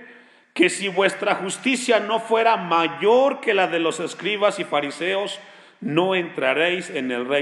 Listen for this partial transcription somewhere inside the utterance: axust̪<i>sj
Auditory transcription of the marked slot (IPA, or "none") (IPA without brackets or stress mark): i